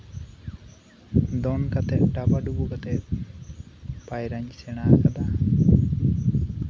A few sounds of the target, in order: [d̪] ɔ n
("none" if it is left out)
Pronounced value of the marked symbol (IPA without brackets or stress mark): d̪